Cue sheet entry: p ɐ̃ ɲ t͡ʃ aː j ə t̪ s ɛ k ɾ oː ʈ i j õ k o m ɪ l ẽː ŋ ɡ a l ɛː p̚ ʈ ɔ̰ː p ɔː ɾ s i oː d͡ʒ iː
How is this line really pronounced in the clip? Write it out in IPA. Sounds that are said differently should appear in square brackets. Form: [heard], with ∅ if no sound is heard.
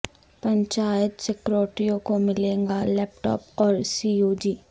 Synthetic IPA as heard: p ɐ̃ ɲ t͡ʃ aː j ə t̪ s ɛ k ɾ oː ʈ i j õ k o m ɪ l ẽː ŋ ɡ a l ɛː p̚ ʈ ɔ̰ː p ɔː ɾ s i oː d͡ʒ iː